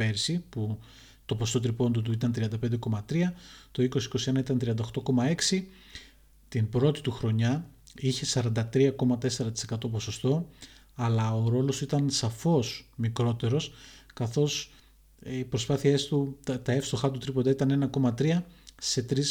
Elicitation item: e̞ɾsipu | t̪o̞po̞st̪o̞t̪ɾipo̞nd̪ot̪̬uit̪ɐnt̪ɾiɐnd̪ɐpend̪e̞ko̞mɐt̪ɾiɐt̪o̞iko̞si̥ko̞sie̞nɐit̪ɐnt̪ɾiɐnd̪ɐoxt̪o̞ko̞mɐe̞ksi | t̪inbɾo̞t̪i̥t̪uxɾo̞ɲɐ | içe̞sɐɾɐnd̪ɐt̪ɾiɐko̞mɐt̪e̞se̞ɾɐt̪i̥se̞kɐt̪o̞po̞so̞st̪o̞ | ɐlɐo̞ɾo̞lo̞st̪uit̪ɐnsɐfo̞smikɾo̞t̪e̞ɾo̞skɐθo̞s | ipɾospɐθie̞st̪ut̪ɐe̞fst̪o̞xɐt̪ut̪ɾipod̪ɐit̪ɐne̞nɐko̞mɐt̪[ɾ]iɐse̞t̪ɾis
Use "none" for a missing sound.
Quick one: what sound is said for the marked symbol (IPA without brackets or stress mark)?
ɾ